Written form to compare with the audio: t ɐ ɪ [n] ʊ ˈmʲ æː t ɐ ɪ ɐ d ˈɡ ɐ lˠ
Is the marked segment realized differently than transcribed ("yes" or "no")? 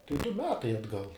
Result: yes